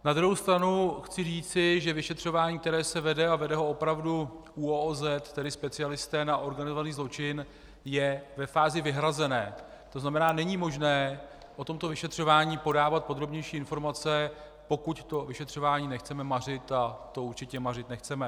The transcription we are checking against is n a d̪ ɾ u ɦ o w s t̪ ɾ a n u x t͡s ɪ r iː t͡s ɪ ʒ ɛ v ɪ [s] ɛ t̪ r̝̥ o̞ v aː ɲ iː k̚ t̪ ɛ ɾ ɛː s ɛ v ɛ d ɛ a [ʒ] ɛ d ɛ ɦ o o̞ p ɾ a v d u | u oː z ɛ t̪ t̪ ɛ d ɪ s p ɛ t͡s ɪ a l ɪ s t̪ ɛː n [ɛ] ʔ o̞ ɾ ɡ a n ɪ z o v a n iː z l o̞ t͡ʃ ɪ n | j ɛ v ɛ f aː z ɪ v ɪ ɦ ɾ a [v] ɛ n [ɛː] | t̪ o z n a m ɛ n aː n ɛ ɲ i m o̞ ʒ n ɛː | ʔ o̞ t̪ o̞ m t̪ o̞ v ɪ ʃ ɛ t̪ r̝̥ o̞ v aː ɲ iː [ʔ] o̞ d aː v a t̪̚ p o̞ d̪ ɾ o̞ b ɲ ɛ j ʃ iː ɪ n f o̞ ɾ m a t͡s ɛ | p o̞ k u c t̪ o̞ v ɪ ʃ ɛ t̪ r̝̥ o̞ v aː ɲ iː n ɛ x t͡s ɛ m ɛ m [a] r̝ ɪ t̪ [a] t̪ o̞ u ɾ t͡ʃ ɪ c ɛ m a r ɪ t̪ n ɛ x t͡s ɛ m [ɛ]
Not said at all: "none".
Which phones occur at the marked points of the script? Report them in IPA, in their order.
ʃ, v, a, z, ɛː, p, a, a, ɛ

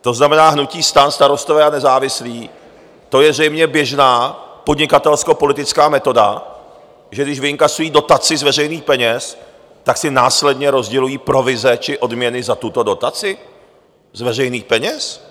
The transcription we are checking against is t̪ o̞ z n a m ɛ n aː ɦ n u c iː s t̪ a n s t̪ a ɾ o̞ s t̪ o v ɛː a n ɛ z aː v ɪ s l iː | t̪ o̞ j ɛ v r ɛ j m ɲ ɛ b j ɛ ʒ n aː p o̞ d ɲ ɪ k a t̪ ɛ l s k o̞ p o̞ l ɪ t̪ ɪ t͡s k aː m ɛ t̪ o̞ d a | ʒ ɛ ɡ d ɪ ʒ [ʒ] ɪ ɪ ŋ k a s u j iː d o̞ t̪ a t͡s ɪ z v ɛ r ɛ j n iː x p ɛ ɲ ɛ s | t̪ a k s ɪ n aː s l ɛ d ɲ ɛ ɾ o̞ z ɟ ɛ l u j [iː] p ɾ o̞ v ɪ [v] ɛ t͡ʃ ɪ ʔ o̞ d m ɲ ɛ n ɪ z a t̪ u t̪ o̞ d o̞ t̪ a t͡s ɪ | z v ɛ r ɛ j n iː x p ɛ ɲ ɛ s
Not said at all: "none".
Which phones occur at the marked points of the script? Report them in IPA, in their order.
v, iː, z

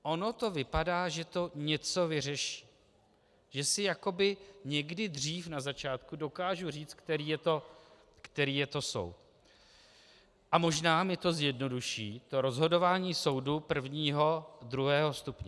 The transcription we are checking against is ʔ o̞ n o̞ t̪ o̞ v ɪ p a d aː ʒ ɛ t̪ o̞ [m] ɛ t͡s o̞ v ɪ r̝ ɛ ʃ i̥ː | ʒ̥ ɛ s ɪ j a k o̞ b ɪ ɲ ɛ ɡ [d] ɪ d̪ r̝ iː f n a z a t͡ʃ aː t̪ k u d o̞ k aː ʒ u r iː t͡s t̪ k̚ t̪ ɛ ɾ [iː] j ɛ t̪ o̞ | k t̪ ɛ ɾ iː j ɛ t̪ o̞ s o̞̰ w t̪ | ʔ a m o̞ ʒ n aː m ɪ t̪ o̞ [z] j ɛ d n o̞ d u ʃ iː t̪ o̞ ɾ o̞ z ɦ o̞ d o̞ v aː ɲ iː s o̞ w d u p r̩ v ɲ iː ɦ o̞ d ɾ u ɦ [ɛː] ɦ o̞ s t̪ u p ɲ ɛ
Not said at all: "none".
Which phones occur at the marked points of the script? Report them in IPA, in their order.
ɲ, d, iː, z, ɛː

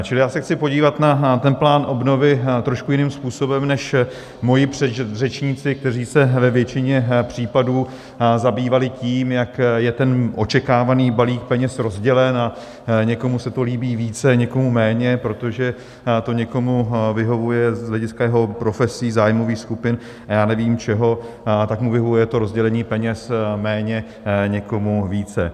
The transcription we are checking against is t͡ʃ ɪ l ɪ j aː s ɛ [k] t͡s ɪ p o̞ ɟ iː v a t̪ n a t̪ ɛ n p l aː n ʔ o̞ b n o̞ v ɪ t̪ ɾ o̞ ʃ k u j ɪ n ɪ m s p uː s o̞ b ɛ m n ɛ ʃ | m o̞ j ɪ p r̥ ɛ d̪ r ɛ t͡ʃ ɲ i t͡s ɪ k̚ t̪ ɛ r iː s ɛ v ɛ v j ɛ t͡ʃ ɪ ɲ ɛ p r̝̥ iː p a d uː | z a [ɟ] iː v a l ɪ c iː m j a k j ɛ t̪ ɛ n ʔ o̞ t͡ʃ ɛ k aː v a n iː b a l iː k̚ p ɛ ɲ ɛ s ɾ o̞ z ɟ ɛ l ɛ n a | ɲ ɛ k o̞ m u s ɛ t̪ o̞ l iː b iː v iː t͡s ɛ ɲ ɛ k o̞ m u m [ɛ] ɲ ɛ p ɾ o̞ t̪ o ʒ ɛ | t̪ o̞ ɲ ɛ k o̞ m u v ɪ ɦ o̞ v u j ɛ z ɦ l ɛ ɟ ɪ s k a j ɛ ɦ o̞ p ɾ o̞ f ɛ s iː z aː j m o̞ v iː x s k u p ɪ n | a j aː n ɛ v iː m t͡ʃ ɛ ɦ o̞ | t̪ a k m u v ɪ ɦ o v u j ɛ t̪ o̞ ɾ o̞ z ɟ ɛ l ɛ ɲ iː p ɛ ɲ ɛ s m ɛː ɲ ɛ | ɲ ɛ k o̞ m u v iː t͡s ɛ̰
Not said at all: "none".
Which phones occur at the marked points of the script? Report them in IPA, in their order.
x, b, ɛː

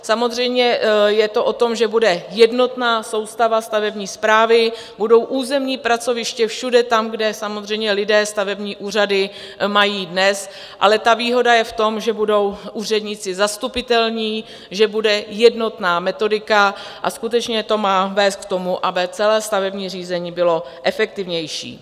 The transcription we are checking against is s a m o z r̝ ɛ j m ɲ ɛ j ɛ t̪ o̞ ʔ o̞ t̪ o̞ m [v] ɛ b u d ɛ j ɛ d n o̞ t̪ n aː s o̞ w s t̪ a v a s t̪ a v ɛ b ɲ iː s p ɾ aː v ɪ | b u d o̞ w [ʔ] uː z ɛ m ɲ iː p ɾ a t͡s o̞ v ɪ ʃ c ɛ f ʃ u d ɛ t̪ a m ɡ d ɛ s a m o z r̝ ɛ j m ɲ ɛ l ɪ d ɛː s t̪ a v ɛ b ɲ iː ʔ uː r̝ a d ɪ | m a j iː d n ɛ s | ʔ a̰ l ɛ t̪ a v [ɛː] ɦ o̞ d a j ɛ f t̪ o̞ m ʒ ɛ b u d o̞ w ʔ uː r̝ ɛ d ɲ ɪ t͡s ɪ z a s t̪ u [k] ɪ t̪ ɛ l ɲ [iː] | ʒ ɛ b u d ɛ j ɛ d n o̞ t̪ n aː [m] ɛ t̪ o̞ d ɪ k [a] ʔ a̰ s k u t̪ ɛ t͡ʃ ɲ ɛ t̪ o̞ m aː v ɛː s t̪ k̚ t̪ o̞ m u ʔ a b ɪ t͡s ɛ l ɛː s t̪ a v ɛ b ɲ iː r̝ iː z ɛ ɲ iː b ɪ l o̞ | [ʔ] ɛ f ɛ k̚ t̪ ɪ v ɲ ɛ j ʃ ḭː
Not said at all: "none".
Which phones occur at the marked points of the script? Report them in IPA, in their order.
ʒ, ʔ, iː, p, iː, m, a, ʔ

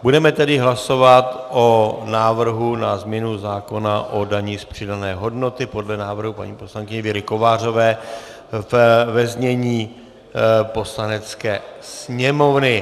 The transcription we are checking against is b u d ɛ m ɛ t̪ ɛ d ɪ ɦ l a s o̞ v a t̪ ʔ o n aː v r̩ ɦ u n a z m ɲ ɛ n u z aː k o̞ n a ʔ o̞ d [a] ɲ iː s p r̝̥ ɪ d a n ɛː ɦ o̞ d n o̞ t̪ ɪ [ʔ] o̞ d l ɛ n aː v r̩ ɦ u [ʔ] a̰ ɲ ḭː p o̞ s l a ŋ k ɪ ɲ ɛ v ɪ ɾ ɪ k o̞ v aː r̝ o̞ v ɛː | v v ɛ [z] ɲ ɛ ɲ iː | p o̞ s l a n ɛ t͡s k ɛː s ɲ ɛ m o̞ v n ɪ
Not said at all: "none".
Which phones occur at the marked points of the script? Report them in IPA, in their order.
a, p, p, z

